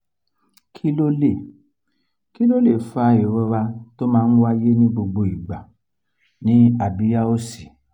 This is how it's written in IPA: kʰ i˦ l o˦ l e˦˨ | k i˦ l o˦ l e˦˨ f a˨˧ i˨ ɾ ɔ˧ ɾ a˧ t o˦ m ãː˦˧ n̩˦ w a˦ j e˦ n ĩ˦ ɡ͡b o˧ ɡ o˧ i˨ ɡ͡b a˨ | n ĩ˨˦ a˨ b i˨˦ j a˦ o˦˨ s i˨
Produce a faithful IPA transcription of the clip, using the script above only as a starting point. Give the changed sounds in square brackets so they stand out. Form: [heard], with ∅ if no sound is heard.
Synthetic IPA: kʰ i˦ l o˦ l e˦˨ | k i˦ l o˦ l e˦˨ f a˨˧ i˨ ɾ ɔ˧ ɾ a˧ t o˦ m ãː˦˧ n̩˦ w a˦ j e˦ n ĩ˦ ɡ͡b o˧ [ɡ͡b] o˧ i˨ ɡ͡b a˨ | n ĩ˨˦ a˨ b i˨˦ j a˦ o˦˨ s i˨